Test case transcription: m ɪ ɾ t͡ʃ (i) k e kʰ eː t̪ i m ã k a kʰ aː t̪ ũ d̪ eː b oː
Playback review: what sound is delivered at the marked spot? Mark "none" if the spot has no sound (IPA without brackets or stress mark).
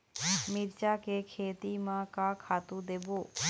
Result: a